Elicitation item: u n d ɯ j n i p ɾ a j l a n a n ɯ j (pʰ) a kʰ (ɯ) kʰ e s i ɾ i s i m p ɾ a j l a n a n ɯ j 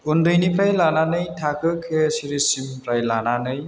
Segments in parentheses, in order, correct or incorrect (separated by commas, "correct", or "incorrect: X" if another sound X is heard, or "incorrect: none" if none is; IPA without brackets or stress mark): incorrect: tʰ, correct